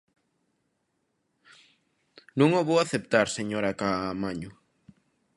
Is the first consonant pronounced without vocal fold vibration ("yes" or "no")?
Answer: no